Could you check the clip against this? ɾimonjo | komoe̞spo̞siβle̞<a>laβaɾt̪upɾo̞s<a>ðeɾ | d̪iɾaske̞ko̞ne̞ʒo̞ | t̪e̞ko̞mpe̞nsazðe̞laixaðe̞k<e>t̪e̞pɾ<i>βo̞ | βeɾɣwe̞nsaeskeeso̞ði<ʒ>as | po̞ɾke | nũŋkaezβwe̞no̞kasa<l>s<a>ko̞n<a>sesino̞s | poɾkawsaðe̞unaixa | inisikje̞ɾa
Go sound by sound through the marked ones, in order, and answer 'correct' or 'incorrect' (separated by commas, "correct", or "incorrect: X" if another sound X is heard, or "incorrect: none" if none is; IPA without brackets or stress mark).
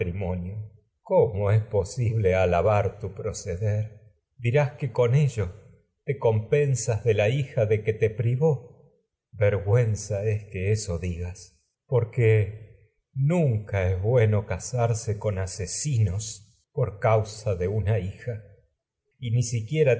correct, incorrect: e, correct, correct, incorrect: ɣ, incorrect: ɾ, incorrect: e, correct